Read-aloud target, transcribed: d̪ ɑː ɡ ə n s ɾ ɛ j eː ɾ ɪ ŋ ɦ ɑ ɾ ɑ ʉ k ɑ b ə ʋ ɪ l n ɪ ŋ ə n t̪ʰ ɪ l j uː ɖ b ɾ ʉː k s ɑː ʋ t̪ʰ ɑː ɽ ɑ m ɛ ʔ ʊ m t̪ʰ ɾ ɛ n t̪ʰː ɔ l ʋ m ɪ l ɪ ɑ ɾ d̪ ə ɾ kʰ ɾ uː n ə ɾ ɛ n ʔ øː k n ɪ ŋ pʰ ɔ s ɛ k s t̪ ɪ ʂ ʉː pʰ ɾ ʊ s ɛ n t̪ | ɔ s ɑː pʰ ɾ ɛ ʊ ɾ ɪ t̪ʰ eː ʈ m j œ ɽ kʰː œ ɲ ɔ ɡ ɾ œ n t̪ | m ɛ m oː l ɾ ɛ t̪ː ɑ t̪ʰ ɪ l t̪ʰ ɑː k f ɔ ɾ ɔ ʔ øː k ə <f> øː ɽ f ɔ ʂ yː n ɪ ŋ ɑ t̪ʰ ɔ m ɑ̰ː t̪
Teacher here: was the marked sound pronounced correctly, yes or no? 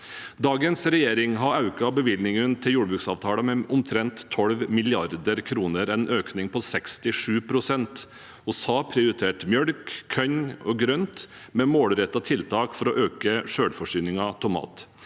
no